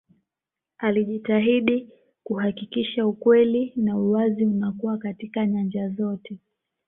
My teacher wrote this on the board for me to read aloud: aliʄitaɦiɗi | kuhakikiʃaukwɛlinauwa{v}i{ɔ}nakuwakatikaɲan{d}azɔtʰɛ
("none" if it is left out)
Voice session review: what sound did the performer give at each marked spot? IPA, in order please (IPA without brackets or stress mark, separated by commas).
z, u, d͡ʒ